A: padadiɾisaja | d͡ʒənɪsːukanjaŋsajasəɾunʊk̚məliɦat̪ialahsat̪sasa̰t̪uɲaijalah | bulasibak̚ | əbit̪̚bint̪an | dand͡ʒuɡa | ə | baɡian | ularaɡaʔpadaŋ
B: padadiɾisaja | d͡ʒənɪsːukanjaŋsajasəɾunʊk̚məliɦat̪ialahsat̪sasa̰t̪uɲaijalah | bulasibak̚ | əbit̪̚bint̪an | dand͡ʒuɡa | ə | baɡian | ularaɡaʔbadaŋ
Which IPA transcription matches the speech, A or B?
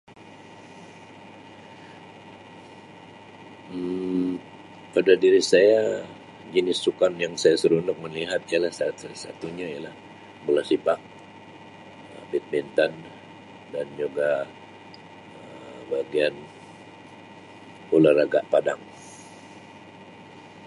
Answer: A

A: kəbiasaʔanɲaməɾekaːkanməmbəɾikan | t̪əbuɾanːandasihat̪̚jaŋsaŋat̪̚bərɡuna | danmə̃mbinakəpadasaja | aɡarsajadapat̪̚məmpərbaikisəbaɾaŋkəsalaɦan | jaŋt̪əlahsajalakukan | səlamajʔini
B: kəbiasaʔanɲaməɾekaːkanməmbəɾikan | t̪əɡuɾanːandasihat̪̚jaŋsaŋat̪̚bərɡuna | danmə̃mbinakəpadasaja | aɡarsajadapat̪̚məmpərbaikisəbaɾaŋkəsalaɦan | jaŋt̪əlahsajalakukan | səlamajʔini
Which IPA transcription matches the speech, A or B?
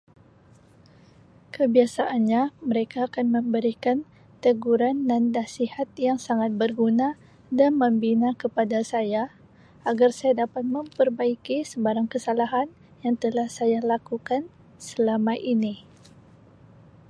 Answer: B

